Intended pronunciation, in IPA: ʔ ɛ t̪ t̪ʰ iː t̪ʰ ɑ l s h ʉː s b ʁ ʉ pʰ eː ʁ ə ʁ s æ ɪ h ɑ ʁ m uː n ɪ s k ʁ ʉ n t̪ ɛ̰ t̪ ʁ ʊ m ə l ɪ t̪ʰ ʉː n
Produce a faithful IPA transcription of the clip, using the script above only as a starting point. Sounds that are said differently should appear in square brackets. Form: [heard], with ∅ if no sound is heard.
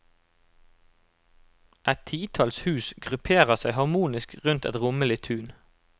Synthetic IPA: ʔ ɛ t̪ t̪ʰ iː t̪ʰ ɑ l s h ʉː s [ɡ] ʁ ʉ pʰ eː ʁ ə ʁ s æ ɪ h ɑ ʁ m uː n ɪ s k ʁ ʉ n t̪ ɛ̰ t̪ ʁ ʊ m ə l ɪ t̪ʰ ʉː n